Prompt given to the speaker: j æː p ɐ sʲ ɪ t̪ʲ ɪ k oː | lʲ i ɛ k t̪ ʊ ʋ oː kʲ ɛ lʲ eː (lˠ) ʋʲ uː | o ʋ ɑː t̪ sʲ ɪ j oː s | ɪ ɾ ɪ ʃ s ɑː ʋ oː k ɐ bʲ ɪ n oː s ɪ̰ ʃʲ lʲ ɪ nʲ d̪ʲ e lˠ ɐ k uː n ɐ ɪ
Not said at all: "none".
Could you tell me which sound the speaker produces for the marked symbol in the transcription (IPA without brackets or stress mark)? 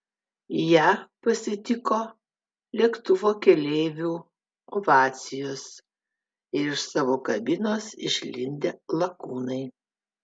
none